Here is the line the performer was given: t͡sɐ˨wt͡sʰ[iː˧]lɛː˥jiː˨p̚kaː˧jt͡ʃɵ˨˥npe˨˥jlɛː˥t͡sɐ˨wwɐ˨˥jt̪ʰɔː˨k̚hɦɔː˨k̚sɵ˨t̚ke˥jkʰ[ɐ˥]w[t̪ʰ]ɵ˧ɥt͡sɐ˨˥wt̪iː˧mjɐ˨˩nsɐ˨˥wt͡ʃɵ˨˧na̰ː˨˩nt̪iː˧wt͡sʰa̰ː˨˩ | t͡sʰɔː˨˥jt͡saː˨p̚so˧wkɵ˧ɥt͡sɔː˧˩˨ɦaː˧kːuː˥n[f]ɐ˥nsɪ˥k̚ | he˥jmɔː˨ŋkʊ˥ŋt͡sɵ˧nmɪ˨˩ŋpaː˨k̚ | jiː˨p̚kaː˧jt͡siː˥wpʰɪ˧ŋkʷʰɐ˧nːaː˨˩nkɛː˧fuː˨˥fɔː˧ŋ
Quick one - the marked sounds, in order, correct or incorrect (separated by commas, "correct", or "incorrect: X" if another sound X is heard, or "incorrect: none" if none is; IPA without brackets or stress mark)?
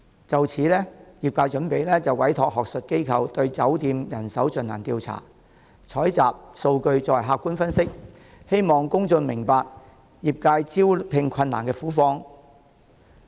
incorrect: iː˨˥, incorrect: ɐ˨˧, incorrect: t̪, correct